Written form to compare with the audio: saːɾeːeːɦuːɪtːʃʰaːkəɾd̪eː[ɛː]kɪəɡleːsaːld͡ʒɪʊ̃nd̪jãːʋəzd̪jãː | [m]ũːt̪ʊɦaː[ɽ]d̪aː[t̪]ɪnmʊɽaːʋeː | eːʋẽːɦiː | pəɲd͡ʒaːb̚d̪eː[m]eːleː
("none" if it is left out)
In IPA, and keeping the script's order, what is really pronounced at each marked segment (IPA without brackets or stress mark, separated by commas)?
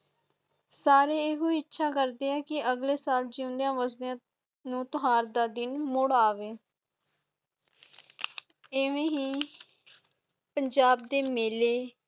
ɛː, n, ɾ, d̪, m